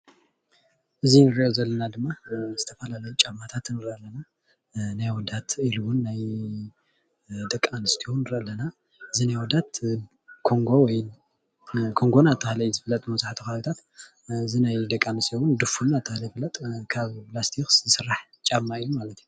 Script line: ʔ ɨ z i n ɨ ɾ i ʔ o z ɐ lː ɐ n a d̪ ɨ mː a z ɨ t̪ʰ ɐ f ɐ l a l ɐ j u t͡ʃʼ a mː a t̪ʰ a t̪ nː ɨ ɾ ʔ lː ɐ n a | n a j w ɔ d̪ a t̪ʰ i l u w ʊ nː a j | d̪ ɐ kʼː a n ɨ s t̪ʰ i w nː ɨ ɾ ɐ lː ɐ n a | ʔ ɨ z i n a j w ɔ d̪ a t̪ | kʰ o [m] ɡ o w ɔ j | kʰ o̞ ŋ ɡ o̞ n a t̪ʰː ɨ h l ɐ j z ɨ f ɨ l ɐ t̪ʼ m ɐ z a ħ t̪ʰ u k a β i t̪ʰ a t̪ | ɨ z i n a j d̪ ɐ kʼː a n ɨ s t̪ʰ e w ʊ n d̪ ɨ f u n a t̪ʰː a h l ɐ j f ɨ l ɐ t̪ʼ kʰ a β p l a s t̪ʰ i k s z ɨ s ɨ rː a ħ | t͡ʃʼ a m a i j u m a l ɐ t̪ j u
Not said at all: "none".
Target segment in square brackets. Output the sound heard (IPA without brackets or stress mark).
ŋ